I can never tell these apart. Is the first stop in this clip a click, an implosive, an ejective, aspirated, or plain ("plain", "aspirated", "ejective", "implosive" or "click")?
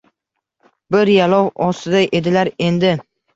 plain